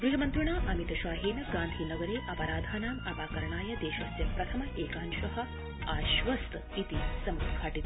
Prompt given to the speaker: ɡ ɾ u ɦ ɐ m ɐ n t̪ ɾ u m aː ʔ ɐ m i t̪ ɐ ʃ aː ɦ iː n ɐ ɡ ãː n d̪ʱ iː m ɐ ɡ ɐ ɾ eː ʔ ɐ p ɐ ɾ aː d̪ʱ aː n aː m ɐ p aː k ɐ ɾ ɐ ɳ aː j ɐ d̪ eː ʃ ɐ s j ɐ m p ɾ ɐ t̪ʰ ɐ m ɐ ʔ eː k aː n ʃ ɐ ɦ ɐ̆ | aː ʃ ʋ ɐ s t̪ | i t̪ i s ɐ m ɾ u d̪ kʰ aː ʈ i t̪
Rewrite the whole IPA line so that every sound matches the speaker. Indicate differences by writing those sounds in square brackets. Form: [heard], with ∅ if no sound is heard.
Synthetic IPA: ɡ ɾ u ɦ ɐ m ɐ n t̪ ɾ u [ɳ] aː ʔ ɐ m i t̪ ɐ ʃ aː ɦ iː n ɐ ɡ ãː n d̪ʱ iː [n] ɐ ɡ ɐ ɾ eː ʔ ɐ p ɐ ɾ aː d̪ʱ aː n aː m ɐ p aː k ɐ ɾ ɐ ɳ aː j ɐ d̪ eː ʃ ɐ s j ɐ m p ɾ ɐ t̪ʰ ɐ m ɐ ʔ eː k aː n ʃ ɐ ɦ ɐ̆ | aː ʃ ʋ ɐ s t̪ | i t̪ i s ɐ m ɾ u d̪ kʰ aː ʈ i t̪